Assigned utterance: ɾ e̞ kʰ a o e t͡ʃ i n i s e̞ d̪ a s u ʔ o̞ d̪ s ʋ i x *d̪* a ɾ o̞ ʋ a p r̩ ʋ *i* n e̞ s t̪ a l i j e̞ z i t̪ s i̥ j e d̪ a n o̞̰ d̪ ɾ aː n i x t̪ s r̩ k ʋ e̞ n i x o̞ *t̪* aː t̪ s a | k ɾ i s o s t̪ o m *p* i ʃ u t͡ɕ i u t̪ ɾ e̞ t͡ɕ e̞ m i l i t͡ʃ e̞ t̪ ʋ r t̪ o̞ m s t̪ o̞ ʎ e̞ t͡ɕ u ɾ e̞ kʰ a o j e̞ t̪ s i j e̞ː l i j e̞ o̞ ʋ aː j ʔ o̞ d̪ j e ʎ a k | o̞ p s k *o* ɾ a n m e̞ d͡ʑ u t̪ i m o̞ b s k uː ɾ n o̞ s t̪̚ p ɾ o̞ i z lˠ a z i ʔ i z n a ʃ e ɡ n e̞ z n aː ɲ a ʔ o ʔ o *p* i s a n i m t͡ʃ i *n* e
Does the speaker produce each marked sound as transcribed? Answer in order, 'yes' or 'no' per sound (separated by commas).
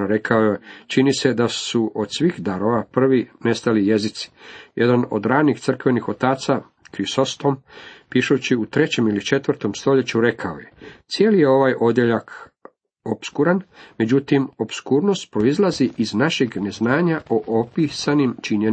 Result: yes, yes, yes, yes, no, yes, no